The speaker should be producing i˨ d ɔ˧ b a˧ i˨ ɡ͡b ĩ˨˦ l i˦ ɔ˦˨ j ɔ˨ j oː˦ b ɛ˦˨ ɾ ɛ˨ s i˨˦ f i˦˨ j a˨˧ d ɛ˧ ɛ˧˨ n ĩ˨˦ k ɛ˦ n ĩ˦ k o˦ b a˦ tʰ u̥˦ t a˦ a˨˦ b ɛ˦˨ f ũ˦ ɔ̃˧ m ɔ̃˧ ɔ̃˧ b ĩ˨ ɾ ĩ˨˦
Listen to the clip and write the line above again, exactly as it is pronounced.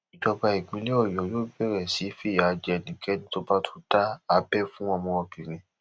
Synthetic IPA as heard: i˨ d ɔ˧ b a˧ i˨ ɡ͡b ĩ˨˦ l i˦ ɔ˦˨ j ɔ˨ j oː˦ b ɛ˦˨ ɾ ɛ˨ s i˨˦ f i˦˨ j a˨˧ d͡ʒ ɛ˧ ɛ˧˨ n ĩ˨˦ k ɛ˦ n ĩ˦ t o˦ b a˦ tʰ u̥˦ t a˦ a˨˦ b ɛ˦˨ f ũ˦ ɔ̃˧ m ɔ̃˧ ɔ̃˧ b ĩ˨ ɾ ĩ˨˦